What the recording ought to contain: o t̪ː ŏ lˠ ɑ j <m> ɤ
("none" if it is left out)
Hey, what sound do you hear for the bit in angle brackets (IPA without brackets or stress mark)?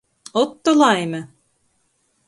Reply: m